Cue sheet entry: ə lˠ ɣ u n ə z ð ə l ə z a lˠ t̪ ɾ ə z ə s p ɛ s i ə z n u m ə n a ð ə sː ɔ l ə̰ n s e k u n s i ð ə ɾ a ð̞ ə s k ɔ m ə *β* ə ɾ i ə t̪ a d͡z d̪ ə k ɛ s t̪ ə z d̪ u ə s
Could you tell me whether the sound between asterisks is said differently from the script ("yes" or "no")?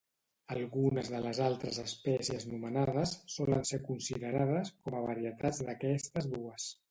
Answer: no